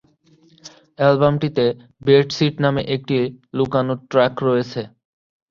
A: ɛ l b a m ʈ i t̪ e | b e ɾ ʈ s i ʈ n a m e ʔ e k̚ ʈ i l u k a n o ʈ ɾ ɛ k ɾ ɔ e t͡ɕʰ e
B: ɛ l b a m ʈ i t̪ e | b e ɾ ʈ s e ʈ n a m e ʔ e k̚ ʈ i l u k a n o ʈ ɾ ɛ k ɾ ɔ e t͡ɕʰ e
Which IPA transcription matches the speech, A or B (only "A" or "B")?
A